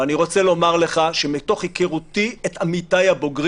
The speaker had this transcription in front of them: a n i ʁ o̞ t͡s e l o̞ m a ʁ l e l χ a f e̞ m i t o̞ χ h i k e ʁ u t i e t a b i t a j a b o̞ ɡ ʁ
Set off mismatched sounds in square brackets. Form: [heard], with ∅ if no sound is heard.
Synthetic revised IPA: a n i ʁ o̞ t͡s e l o̞ m a ʁ l e [∅] χ a [ʃ] e̞ m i t o̞ χ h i k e ʁ u t i e t a [m] i t a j a b o̞ ɡ ʁ